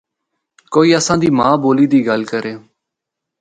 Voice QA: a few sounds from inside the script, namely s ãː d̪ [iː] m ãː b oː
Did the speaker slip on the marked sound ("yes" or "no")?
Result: no